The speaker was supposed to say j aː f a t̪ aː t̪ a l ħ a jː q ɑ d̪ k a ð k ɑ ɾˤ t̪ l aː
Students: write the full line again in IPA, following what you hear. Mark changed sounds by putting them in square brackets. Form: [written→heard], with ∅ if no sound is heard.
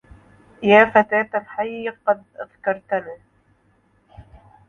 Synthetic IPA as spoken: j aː f a t̪ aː t̪ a l ħ a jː q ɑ d̪ [k→ʔ] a ð k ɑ ɾˤ t̪ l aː